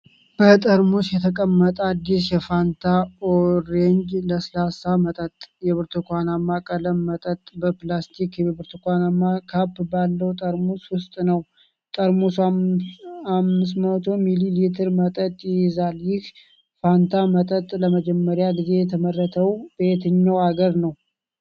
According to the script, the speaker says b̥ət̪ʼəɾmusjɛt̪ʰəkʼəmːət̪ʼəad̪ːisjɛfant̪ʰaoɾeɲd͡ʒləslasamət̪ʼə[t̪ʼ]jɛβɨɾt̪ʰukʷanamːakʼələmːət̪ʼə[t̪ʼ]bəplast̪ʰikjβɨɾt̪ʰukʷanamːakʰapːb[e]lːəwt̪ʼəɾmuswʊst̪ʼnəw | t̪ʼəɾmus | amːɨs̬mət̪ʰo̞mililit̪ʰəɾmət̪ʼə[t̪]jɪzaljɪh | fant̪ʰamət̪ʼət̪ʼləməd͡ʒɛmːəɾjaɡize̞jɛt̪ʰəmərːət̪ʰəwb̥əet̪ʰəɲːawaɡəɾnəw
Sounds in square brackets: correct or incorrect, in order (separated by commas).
correct, correct, incorrect, incorrect